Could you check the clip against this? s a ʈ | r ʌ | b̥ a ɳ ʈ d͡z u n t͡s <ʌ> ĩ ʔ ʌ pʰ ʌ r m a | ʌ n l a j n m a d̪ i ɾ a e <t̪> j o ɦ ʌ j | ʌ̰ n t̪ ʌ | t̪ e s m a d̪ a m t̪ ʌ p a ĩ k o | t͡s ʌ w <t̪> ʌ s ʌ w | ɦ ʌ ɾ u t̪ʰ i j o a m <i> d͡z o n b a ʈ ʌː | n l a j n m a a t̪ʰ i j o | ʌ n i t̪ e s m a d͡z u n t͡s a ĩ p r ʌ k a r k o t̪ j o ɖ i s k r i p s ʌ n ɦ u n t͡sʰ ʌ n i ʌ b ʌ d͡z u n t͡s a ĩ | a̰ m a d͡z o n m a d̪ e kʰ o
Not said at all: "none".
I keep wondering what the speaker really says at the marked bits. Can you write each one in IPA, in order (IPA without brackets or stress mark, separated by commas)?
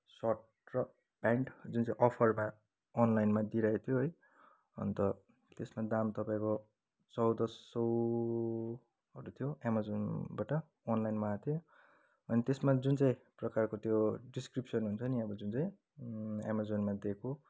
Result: a, t̪ʰ, d̪, a